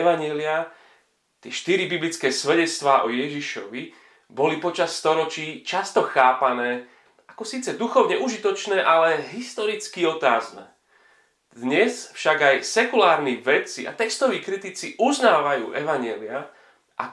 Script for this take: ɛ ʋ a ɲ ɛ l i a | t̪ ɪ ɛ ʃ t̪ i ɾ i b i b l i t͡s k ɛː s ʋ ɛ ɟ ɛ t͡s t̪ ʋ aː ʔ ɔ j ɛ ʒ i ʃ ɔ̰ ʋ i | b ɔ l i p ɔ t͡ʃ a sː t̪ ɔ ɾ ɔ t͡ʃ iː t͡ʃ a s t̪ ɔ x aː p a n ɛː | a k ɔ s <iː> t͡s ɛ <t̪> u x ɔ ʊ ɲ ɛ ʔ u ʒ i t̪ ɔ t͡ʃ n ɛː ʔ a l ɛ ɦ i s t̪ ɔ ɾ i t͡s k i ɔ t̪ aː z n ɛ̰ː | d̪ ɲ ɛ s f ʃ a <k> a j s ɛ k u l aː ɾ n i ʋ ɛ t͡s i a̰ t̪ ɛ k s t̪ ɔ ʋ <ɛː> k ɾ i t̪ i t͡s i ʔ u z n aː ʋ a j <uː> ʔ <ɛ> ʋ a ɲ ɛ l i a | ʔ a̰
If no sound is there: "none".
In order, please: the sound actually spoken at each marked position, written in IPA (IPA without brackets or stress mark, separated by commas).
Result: iː, d̪, ɡ, iː, uː, ɛ